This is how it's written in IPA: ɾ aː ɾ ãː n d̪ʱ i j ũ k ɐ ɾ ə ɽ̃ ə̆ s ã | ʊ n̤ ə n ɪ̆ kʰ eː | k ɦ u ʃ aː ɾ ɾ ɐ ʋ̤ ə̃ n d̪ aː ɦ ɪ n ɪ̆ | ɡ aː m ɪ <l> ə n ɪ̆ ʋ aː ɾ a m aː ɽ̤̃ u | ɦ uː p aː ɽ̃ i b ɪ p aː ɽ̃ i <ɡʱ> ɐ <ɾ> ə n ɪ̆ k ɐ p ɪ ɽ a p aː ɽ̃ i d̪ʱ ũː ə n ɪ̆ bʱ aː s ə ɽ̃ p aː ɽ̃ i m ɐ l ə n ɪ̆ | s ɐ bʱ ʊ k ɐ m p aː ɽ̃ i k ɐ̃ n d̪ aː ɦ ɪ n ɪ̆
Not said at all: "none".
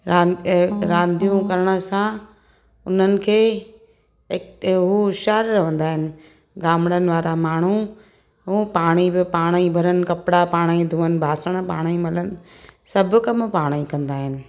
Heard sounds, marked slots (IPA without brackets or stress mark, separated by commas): ɽ, bʱ, ɾ